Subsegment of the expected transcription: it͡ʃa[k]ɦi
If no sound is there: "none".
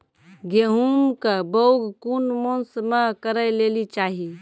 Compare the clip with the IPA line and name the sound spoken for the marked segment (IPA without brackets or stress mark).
none